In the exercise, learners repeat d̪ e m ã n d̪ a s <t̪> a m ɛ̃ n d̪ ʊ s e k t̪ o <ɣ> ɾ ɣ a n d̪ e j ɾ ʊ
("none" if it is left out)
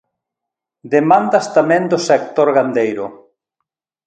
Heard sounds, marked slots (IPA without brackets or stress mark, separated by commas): t̪, none